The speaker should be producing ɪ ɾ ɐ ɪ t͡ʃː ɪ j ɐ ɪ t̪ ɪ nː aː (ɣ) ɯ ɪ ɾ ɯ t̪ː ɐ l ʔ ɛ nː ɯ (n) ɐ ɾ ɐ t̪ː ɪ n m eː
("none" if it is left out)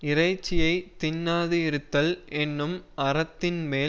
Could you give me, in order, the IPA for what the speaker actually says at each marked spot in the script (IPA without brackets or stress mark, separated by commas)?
ð, m